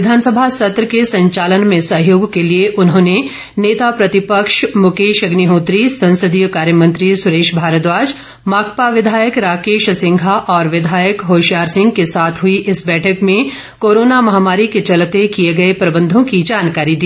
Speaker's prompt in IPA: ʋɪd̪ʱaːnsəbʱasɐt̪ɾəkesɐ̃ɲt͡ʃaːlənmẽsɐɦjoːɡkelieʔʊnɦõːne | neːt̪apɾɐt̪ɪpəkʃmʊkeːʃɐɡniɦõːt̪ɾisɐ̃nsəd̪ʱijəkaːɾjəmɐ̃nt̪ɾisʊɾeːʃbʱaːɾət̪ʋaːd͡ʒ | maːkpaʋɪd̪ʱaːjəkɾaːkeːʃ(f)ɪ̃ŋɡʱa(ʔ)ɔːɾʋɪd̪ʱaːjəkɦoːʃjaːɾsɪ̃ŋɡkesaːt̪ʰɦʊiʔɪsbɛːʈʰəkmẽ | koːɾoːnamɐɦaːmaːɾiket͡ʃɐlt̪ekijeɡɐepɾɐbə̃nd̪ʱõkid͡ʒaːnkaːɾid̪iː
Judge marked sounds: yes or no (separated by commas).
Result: no, yes